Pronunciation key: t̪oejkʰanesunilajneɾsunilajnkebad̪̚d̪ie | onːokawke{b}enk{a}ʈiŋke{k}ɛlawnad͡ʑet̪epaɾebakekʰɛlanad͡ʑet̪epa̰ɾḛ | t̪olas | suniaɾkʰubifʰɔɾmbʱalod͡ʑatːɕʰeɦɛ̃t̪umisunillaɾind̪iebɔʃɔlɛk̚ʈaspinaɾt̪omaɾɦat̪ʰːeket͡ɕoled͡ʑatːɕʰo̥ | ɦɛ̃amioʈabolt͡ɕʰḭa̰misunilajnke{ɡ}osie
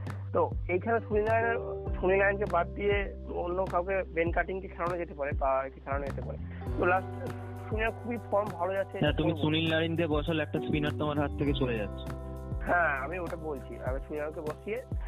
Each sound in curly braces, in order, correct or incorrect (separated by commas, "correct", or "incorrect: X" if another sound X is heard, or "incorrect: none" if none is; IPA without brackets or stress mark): correct, correct, incorrect: kʰ, incorrect: b